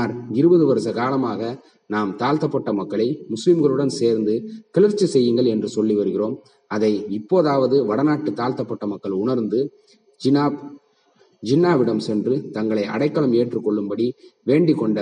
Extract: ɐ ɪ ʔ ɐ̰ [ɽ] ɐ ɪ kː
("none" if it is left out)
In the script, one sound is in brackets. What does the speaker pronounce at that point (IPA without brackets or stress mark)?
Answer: ɽ